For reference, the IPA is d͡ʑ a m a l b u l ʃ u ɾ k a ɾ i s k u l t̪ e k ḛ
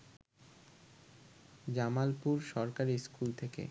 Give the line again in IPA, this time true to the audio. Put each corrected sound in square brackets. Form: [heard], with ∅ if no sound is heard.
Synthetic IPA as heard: d͡ʑ a m a l [p] u [ɾ] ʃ [ɔ] ɾ k a ɾ i s k u l [t̪ʰ] e k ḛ